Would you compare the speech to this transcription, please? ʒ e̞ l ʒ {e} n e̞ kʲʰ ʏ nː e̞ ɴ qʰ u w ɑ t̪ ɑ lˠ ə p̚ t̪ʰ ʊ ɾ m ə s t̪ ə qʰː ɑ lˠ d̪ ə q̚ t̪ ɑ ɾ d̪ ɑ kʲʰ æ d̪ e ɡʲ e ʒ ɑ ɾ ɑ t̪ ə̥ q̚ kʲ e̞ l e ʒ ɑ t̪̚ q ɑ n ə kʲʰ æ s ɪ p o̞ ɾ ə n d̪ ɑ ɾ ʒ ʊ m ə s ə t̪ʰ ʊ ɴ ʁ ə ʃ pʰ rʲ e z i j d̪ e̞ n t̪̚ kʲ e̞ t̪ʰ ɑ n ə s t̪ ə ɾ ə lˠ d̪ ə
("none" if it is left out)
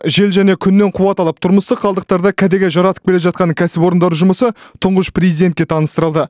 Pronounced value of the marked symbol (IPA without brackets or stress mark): æ